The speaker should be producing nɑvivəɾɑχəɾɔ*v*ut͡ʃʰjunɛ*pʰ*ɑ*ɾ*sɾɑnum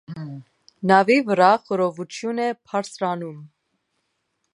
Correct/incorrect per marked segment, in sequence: correct, correct, correct

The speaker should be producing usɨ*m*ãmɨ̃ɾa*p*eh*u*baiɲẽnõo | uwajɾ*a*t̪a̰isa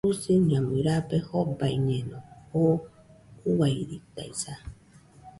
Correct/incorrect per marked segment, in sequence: incorrect, correct, incorrect, incorrect

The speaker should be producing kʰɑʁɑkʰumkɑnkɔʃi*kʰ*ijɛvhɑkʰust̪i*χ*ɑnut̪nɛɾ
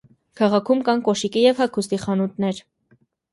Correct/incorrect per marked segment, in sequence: incorrect, correct

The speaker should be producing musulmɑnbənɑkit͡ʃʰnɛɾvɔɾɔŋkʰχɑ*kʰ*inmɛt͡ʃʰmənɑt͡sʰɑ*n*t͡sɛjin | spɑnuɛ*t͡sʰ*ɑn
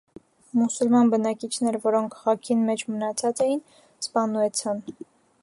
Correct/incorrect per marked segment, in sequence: correct, incorrect, correct

